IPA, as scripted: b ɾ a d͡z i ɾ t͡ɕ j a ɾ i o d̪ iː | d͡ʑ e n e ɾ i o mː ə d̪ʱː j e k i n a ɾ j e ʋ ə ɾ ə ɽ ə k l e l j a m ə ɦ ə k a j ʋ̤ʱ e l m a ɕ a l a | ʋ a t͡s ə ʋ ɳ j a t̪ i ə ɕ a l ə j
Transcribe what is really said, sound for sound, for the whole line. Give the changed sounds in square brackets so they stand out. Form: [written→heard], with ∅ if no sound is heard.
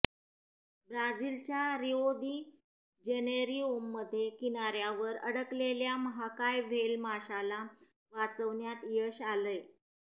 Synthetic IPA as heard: b ɾ a d͡z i [ɾ→l] t͡ɕ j a ɾ i o d̪ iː | d͡ʑ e n e ɾ i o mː ə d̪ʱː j e k i n a ɾ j [e→a] ʋ ə ɾ ə ɽ ə k l e l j a m ə ɦ [ə→a] k a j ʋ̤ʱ e l m a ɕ a l a | ʋ a t͡s ə ʋ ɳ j a t̪ [i→j] ə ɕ a l ə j